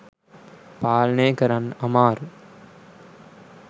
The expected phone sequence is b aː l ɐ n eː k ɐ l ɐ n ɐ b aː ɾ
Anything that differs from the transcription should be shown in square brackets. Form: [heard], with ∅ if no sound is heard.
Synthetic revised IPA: [p] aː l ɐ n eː k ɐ [ɾ] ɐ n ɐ [m] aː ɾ